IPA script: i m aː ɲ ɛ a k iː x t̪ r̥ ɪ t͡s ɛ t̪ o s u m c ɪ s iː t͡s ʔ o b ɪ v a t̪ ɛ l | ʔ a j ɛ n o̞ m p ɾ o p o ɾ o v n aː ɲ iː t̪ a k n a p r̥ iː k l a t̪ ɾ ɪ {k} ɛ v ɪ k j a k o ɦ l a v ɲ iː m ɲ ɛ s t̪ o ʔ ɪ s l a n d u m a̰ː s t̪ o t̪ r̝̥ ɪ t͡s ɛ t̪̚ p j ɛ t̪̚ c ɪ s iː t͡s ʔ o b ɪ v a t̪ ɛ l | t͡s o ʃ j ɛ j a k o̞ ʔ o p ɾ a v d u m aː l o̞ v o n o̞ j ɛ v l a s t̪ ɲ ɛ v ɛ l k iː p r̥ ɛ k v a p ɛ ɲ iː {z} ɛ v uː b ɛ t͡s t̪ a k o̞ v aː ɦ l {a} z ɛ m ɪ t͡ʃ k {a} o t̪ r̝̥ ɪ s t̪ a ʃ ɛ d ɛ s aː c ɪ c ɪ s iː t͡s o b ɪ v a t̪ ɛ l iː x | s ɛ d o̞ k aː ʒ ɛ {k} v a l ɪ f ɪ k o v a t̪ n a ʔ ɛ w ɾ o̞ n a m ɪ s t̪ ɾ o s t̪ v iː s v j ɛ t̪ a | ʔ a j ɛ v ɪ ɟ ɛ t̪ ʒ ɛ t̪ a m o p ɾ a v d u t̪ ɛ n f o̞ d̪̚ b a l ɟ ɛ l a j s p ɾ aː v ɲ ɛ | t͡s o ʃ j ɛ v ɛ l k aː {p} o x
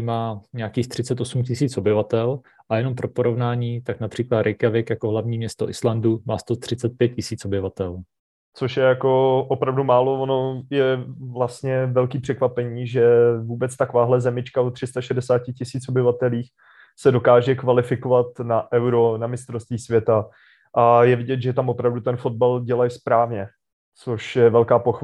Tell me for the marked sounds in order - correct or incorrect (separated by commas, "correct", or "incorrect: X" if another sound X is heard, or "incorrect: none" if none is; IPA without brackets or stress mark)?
correct, incorrect: ʒ, incorrect: ɛ, correct, correct, correct